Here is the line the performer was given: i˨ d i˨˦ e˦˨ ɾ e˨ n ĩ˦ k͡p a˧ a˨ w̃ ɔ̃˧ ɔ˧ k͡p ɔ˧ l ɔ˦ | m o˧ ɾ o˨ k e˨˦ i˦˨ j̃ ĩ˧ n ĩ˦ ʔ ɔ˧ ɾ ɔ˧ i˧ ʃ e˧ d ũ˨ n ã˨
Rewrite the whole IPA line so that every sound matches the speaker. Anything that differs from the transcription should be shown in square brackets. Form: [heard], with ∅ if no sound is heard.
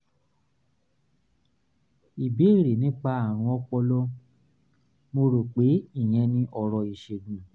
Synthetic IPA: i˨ [b] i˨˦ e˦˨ ɾ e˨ n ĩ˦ k͡p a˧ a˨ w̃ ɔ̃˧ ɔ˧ k͡p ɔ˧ l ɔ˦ | m o˧ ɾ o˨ [k͡p] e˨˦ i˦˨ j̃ [ɛ̃˧] n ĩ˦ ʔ ɔ˧ ɾ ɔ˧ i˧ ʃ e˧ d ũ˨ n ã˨